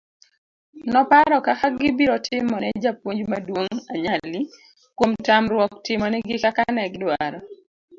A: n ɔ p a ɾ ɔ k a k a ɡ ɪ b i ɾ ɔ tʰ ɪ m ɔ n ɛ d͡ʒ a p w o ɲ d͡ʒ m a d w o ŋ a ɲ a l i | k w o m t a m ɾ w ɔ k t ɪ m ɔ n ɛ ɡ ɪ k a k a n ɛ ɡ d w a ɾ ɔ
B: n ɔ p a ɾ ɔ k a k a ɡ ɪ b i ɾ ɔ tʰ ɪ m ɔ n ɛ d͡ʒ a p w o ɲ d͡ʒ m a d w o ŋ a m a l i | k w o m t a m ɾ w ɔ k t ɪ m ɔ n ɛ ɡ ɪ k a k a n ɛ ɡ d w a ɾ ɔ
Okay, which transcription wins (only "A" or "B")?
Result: A